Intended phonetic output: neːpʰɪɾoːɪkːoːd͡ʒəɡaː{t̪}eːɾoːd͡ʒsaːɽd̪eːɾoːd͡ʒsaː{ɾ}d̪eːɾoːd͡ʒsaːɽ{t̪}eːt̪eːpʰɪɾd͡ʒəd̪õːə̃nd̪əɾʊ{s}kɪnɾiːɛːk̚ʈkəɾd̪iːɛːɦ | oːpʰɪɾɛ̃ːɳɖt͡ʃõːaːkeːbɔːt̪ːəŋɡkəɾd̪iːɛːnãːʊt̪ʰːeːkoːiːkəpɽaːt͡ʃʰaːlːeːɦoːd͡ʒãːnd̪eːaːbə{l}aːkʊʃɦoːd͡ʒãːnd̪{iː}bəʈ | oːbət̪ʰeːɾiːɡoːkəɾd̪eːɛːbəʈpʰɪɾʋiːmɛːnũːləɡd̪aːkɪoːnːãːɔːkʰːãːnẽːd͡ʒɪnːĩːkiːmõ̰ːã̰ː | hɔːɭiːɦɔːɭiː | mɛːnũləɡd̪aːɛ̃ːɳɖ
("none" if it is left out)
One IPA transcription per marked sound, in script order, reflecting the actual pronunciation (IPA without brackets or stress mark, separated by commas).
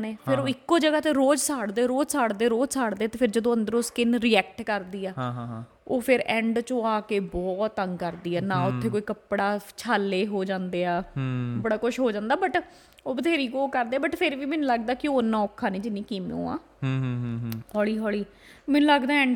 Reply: t̪, ɽ, d̪, s, ɽ, aː